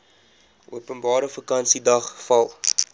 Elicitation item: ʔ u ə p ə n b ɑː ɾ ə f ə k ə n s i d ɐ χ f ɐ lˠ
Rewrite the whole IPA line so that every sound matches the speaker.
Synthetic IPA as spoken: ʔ u ə p ə n b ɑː ɾ ə f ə k ɐ n s i d ɐ χ f ɐ lˠ